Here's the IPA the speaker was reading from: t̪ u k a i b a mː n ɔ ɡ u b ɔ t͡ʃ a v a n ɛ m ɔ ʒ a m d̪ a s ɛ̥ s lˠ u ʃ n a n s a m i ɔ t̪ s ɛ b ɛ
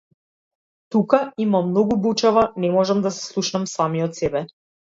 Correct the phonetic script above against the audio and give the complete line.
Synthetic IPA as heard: t̪ u k a i m a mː n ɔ ɡ u b u t͡ʃ a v a n ɛ m ɔ ʒ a m d̪ a s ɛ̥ s lˠ u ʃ n a m s a m i ɔ t̪ s ɛ b ɛ